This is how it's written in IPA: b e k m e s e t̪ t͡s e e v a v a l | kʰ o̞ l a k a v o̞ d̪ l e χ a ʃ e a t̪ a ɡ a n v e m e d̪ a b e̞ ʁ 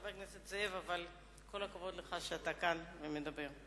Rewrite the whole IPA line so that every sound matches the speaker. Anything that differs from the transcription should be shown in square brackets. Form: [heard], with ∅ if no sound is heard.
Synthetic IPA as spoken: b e k [n] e s e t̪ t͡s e e v a v a l | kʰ o̞ l a k a v o̞ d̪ l e χ a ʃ e a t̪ a [k] a n v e m e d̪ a b e̞ ʁ